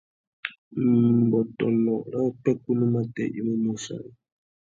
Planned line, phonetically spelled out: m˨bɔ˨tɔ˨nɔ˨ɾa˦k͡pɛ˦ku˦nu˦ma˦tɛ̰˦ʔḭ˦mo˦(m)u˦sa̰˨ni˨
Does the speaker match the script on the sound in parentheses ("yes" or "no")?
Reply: yes